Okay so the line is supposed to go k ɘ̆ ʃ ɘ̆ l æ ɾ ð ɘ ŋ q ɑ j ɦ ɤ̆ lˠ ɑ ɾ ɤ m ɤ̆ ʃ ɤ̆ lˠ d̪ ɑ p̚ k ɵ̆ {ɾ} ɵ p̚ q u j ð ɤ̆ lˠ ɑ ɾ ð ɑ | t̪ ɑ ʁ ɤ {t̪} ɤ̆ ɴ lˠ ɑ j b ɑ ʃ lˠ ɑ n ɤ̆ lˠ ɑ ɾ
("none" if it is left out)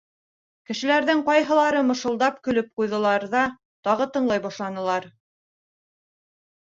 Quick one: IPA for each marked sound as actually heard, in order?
l, t̪

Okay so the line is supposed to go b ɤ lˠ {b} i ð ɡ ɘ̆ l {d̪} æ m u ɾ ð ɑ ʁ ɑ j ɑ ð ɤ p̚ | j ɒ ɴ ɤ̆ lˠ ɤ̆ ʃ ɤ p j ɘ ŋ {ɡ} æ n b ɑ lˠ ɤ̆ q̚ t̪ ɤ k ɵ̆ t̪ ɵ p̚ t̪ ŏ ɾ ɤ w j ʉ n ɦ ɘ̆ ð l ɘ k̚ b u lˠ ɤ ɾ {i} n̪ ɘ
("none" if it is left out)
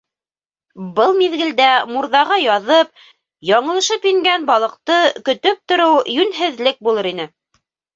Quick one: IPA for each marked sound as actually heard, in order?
m, d̪, ɡ, i

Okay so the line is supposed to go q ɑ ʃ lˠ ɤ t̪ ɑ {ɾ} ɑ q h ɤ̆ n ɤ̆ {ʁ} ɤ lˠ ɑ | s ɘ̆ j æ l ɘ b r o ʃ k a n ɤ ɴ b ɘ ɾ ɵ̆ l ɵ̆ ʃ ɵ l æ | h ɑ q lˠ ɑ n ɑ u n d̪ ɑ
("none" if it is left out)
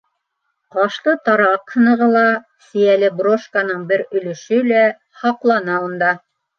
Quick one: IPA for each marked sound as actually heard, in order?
ɾ, ʁ

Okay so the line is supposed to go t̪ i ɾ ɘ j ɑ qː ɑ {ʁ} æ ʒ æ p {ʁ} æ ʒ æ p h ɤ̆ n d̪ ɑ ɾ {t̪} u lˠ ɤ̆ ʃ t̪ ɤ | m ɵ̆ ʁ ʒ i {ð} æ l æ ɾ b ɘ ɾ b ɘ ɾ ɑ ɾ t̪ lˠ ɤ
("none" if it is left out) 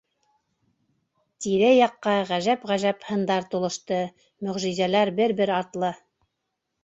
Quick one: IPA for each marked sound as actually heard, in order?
ʁ, ʁ, t̪, z

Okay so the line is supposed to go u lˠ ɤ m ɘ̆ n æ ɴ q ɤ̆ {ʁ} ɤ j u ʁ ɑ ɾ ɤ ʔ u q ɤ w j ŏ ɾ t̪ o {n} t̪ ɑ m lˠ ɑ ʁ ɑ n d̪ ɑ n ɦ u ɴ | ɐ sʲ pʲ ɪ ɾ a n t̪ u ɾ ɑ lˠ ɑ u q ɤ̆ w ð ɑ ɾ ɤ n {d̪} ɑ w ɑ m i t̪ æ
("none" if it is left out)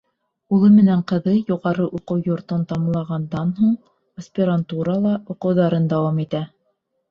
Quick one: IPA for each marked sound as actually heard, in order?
ð, n, d̪

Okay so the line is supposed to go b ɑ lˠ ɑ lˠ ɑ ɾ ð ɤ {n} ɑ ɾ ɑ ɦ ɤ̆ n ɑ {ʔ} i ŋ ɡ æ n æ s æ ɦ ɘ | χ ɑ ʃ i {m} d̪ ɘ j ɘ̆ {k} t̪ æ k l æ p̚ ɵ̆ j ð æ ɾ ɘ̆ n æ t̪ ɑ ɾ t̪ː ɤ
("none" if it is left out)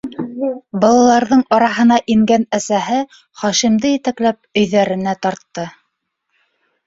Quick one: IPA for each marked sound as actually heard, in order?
ɴ, ʔ, m, none

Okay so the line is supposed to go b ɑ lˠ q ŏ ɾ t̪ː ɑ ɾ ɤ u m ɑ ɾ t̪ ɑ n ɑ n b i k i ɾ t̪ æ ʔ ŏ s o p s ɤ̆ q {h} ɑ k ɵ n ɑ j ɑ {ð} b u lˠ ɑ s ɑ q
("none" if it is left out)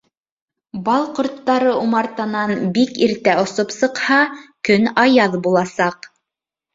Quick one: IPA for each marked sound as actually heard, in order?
h, ð

